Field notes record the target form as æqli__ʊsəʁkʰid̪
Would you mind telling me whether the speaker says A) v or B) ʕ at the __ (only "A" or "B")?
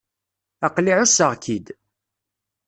B